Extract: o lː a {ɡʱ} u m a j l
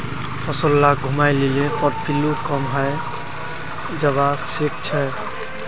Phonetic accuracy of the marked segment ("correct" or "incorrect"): correct